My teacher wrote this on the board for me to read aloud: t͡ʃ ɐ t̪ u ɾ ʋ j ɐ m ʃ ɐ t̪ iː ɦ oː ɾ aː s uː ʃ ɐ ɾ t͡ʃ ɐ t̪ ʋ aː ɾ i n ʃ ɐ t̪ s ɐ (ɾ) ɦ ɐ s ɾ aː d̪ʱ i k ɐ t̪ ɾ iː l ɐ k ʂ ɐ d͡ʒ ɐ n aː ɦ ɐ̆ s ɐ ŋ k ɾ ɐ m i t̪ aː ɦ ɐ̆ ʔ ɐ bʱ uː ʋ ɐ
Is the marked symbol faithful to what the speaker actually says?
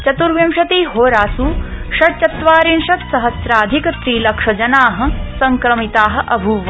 no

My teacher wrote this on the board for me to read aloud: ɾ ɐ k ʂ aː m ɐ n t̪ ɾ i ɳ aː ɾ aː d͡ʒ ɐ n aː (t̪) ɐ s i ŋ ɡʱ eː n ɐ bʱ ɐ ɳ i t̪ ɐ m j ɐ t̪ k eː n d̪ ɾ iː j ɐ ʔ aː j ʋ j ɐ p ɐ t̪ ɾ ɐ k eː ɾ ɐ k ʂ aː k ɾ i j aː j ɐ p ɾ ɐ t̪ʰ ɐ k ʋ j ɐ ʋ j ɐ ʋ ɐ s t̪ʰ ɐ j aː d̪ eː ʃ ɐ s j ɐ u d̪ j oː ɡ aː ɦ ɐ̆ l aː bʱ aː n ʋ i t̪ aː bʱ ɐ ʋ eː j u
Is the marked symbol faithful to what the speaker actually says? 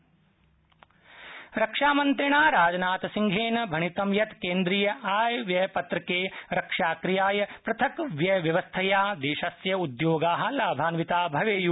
yes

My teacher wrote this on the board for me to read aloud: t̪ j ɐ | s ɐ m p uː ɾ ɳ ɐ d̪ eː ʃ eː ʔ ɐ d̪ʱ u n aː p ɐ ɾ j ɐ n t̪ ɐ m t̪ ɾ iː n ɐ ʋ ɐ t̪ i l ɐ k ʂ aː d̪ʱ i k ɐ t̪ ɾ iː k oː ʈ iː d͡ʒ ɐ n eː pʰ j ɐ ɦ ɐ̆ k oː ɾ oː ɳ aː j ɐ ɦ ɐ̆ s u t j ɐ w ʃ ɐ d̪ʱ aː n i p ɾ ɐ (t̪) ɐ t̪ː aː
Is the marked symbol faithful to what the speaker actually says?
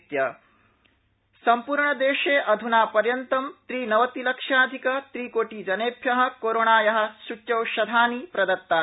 no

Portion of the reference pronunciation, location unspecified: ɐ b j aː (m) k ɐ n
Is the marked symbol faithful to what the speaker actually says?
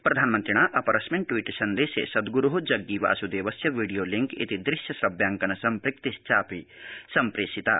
no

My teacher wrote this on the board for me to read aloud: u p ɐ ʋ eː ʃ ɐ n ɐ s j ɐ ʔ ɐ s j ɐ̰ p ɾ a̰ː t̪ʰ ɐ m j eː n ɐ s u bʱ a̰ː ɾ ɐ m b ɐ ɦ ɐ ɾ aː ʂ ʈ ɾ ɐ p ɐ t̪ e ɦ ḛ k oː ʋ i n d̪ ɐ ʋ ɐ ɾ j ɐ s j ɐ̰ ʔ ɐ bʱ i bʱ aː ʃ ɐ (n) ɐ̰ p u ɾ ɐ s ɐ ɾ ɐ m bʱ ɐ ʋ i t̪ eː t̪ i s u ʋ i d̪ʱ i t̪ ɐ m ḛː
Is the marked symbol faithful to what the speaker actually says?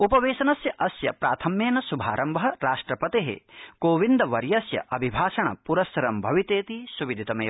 no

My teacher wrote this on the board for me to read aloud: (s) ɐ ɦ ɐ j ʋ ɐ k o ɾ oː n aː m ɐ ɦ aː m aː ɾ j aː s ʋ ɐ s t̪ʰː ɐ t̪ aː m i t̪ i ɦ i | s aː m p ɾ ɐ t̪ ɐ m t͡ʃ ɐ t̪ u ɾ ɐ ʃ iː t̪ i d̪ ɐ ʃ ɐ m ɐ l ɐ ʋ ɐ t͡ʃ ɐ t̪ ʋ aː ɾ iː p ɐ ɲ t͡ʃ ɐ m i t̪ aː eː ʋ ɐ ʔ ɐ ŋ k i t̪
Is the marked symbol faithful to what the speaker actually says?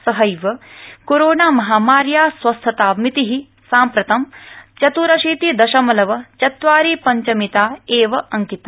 yes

